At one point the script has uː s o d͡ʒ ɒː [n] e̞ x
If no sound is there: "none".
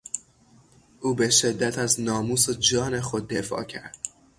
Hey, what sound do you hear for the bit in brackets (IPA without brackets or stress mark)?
n